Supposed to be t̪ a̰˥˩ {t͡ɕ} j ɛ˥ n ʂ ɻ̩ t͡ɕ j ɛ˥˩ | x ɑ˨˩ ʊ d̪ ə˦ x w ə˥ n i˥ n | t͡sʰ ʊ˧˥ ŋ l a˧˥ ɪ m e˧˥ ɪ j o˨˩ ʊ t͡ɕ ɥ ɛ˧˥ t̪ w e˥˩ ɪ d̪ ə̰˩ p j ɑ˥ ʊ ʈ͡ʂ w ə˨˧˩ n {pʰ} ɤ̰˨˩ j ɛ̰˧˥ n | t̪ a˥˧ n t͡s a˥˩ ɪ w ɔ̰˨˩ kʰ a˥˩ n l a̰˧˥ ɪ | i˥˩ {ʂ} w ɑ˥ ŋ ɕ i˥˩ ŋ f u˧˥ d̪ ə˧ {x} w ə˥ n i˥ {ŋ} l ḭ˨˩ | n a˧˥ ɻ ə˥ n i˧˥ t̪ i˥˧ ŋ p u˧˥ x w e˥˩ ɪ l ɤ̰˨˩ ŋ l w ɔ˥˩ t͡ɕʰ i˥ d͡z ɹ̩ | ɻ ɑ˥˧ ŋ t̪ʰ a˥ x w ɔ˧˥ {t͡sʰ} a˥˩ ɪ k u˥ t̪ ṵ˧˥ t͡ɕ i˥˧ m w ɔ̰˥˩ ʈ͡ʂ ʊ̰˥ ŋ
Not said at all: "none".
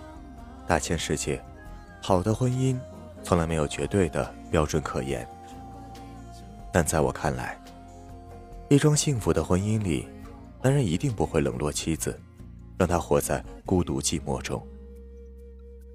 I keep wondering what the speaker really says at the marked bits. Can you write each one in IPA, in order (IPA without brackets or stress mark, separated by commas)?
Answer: t͡ɕʰ, kʰ, ʈ͡ʂ, x, n, t͡s